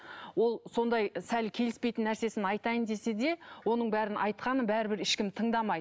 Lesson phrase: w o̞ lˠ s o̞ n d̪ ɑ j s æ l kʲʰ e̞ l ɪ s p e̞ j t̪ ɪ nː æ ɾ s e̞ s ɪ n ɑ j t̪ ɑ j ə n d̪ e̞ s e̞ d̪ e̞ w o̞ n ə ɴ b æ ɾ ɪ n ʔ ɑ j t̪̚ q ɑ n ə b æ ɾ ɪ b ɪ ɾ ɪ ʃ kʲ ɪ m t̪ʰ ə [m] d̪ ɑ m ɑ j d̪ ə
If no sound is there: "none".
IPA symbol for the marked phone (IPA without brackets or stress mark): ɴ